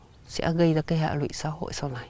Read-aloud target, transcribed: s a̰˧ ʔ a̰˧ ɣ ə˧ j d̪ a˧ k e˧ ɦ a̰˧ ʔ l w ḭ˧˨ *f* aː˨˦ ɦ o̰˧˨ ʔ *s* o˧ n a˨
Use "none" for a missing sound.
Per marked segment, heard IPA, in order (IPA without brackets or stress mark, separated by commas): s, s